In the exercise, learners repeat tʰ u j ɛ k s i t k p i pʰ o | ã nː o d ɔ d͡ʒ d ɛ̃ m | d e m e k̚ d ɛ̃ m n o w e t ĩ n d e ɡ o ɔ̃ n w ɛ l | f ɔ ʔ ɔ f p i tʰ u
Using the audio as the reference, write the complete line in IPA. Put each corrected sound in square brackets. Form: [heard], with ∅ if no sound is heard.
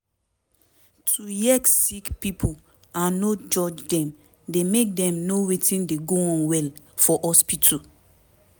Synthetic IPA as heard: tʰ u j ɛ k s i [∅] k p i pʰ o | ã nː o [d͡ʒ] ɔ d͡ʒ d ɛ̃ m | d e m e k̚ d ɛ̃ m n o w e t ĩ n d e ɡ o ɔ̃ n w ɛ l | f ɔ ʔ ɔ [s] p i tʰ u